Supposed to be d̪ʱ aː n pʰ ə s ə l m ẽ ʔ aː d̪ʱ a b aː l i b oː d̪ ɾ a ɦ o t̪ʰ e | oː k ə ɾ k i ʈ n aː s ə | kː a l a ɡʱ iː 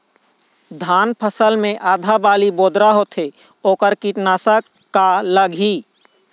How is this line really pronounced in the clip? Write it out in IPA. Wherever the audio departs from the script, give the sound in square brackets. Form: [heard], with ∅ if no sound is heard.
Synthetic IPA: d̪ʱ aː n pʰ ə s ə l m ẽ ʔ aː d̪ʱ a b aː l i b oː d̪ ɾ a ɦ o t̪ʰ e | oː k ə ɾ k i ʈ n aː s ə | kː a l [ə] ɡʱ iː